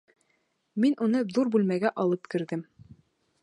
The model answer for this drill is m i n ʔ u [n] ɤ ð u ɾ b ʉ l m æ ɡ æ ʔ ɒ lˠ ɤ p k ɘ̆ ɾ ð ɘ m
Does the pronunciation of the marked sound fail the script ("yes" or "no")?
no